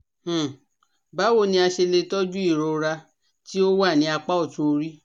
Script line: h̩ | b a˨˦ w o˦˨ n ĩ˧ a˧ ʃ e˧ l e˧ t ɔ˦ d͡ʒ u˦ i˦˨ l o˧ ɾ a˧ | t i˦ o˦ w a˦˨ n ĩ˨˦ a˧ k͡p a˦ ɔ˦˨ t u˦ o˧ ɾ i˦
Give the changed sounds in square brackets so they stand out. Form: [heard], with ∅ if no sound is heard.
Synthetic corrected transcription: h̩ | b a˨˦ w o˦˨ n ĩ˧ a˧ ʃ e˧ l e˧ t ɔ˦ d͡ʒ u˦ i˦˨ [ɾ] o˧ ɾ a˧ | t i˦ o˦ w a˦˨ n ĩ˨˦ a˧ k͡p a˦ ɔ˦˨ t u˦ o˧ ɾ i˦

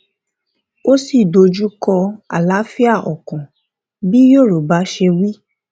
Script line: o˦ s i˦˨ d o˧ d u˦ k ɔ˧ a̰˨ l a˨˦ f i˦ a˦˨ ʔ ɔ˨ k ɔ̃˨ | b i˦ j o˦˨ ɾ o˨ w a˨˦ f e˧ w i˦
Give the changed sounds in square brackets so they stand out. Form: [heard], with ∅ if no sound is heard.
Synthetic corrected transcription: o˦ s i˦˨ d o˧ [d͡ʒ] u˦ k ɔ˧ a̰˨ l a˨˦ f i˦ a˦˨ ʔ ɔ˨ k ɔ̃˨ | b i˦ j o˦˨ ɾ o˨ [b] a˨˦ [ʃ] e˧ w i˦

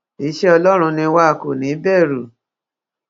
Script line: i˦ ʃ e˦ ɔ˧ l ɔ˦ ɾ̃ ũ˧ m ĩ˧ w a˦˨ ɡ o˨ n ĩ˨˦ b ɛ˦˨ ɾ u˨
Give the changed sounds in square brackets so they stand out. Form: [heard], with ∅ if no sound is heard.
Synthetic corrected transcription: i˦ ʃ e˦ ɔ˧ l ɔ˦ ɾ̃ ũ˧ [n] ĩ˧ w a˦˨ [k] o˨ n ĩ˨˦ b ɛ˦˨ ɾ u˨

